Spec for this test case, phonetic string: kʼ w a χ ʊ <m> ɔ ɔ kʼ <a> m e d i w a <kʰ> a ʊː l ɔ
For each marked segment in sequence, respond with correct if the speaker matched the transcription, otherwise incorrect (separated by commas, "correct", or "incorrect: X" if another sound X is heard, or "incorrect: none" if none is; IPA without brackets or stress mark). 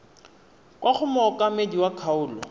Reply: correct, correct, correct